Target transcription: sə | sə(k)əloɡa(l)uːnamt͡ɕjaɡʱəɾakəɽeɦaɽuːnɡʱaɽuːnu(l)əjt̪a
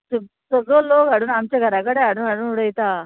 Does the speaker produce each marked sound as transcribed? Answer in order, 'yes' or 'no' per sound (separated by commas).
no, no, no